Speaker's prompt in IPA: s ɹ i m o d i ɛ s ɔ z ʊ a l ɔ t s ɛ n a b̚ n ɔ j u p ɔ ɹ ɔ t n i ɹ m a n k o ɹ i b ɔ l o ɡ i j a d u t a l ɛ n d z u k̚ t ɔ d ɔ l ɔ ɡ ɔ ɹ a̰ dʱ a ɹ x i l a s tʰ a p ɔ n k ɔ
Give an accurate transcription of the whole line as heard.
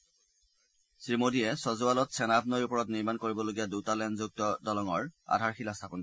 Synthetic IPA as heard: s ɹ i m o d i ɛ s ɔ z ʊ a l ɔ t s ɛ n a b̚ n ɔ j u p ɔ ɹ ɔ t n i ɹ m a n k o ɹ i b ɔ l o ɡ i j a d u t a l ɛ n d z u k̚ t ɔ d ɔ l ɔ ŋ ɔ ɹ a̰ dʱ a ɹ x i l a s tʰ a p ɔ n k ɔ